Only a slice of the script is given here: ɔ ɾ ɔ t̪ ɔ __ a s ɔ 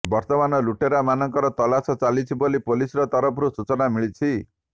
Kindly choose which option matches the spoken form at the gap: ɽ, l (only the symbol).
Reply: l